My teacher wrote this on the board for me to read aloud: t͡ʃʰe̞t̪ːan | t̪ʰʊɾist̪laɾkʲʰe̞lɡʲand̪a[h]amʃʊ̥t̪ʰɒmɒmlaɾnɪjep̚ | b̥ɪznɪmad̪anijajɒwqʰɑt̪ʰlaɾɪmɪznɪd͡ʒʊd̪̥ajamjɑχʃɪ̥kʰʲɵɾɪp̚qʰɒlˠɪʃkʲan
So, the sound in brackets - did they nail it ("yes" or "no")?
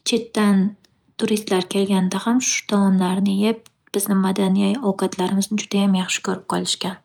yes